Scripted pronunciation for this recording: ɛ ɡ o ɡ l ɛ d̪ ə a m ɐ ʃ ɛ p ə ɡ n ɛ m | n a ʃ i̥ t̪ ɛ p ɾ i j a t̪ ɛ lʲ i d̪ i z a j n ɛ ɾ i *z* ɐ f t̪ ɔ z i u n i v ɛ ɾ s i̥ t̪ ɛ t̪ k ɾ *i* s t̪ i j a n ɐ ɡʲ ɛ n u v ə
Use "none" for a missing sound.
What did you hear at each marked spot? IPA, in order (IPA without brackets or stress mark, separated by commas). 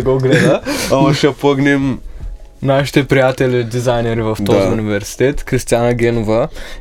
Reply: v, i